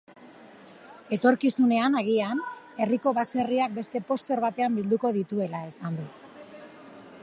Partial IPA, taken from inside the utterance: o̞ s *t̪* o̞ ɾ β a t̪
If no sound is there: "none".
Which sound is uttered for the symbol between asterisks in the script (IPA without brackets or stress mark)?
t̪